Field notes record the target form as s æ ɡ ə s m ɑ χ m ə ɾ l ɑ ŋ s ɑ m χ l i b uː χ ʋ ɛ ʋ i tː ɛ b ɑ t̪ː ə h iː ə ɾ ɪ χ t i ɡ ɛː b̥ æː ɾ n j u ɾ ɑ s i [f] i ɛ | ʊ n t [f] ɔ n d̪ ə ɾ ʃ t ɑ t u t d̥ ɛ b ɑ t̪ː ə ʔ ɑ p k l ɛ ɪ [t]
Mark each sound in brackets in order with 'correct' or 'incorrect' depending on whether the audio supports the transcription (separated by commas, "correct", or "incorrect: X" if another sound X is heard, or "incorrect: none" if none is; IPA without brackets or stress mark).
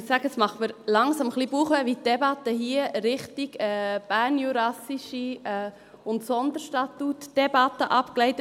incorrect: ʃ, incorrect: s, correct